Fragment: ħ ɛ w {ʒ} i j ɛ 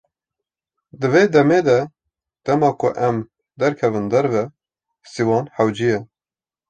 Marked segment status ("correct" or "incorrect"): incorrect